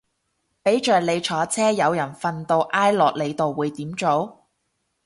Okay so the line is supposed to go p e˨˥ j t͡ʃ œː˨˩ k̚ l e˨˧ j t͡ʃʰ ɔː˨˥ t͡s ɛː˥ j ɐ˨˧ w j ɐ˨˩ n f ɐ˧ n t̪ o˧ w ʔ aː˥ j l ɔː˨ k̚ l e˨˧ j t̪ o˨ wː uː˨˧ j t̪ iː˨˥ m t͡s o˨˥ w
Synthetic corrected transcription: p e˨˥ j t͡ʃ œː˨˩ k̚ l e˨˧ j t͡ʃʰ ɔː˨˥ t͡sʰ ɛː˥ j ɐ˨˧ w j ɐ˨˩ n f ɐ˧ n t̪ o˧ w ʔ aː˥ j l ɔː˨ k̚ l e˨˧ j t̪ o˨ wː uː˨˧ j t̪ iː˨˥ m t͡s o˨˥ w